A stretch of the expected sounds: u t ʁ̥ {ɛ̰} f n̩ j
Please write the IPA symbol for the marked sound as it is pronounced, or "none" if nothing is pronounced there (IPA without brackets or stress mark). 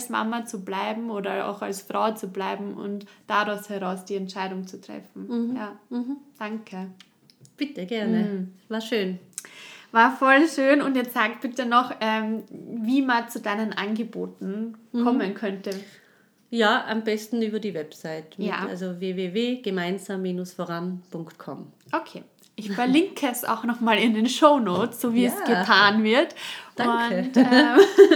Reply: ɛ̰